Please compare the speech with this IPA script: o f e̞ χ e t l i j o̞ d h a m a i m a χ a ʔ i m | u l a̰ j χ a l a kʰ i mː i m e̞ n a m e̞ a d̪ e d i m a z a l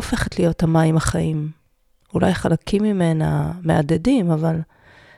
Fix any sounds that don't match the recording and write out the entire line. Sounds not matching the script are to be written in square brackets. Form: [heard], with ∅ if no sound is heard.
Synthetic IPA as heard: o f e̞ χ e t l i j o̞ [t] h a m a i m a χ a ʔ i m | u l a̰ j χ a l a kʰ i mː i m e̞ n a m e̞ a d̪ e d i m a [v] a l